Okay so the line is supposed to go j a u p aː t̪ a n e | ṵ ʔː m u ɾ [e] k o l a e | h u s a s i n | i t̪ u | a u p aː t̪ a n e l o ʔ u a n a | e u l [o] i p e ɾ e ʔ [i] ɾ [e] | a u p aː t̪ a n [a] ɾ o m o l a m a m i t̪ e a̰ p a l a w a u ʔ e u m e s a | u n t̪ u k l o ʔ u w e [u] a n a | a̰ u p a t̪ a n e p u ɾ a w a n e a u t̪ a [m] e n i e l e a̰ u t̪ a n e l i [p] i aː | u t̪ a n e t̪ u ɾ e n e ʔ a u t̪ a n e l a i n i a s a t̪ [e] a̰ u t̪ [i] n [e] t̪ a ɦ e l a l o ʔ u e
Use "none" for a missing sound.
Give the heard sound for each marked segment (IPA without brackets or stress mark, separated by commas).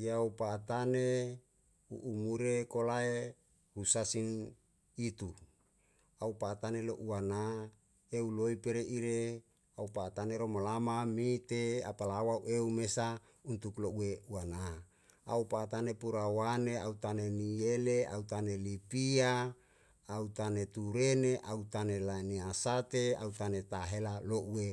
e, o, i, e, e, u, n, p, e, a, e